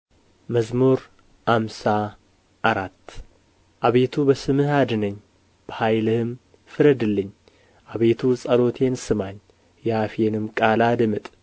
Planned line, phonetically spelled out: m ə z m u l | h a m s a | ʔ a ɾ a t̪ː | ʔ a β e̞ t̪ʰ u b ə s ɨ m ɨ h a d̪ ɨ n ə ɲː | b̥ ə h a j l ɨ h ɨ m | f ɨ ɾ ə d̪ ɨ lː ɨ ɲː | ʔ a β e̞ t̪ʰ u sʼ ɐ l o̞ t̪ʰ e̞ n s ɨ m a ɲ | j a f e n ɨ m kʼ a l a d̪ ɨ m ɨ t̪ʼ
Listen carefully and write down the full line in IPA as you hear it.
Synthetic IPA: m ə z m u ɾ | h a m s a | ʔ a ɾ a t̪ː | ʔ a β e̞ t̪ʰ u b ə s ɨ m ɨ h a d̪ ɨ n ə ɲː | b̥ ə h a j l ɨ h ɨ m | f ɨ ɾ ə d̪ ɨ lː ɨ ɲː | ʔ a β e̞ t̪ʰ u sʼ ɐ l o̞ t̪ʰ e̞ n s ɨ m a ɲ | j a f e n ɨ m kʼ a l a d̪ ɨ m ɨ t̪ʼ